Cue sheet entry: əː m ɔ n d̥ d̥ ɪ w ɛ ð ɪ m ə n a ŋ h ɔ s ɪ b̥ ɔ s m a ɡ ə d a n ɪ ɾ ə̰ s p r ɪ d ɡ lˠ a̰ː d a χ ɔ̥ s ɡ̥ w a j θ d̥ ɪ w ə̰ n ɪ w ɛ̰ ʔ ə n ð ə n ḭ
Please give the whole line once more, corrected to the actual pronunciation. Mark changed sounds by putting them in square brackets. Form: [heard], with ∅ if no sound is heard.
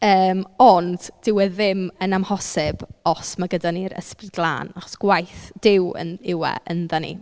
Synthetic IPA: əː m ɔ n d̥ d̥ ɪ w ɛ ð ɪ m ə n a [m] h ɔ s ɪ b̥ ɔ s m a ɡ ə d a n [i] ɾ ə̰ s p r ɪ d ɡ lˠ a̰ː [n] a χ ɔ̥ s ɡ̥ w a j θ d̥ ɪ w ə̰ n ɪ w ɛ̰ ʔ ə n ð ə n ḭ